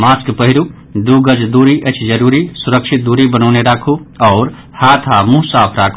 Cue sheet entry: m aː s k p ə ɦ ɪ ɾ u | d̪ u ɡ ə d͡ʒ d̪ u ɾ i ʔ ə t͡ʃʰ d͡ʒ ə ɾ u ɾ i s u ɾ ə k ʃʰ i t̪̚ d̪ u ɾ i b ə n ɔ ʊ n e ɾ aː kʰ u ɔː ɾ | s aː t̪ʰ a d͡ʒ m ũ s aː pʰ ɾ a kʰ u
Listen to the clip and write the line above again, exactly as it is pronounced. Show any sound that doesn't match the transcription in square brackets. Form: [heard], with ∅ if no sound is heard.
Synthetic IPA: m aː s k p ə ɦ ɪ ɾ u | d̪ u ɡ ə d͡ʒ d̪ u ɾ i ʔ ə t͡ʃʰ d͡ʒ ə ɾ u ɾ i s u ɾ ə k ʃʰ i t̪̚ d̪ u ɾ i b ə n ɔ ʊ n e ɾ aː kʰ u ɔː ɾ | [h] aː t̪ʰ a [∅] m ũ s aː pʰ ɾ a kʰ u